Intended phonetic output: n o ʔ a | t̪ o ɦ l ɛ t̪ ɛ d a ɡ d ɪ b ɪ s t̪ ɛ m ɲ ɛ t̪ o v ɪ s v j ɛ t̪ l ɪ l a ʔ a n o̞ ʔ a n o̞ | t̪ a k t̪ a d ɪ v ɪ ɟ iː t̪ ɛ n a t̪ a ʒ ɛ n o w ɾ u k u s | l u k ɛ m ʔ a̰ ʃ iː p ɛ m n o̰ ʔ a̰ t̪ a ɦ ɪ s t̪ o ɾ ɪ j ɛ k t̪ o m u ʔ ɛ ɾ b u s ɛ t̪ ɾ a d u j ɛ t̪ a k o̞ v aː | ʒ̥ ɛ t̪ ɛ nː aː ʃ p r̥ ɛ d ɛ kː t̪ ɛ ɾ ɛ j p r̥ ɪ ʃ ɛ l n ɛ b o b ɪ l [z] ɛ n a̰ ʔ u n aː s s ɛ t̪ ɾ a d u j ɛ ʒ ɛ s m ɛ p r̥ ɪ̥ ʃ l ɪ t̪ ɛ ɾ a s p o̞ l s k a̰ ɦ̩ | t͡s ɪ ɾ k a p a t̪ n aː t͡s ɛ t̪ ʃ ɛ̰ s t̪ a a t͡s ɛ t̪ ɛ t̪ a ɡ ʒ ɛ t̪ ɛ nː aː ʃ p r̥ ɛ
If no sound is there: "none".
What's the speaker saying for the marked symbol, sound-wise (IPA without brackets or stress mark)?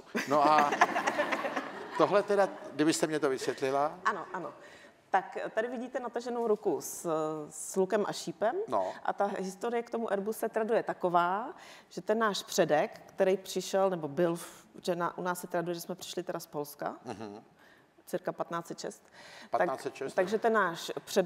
ʒ